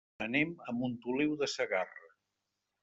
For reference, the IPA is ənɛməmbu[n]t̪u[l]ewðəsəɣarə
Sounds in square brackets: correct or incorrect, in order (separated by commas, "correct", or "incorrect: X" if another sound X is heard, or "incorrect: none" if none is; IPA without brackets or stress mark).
correct, correct